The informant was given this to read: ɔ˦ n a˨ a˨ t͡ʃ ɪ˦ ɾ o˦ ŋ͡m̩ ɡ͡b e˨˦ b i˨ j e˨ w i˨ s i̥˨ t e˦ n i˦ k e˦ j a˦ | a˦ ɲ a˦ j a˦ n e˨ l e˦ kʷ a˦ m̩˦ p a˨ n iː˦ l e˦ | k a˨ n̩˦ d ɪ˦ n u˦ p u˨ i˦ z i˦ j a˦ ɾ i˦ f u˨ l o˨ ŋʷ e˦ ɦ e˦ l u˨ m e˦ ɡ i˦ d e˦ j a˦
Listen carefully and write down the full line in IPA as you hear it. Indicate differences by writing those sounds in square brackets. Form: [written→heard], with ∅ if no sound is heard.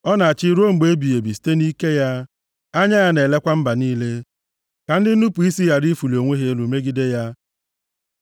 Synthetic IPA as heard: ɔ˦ n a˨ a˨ t͡ʃ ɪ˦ ɾ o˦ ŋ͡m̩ ɡ͡b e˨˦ b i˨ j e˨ [w→b] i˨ s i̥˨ t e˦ n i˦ k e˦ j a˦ | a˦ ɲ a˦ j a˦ n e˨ l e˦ kʷ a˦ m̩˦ [p→b] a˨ n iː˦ l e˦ | k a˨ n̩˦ d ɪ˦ n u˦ p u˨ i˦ [z→s] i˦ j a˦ ɾ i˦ f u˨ l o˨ ŋʷ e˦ ɦ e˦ l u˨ m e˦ ɡ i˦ d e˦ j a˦